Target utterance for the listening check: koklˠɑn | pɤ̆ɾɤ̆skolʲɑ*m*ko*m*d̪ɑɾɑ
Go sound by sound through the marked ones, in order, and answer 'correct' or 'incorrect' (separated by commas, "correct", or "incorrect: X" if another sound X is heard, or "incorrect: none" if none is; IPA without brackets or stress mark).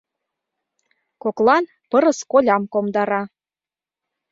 correct, correct